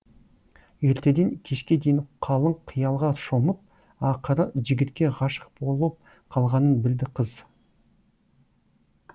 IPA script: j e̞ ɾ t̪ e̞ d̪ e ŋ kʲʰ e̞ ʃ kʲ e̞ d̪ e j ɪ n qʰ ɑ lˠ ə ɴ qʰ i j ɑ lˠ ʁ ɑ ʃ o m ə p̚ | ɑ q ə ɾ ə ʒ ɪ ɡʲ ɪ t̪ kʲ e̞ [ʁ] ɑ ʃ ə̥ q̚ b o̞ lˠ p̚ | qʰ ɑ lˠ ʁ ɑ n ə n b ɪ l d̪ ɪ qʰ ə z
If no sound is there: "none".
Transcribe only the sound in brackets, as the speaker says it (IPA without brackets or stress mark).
ʁ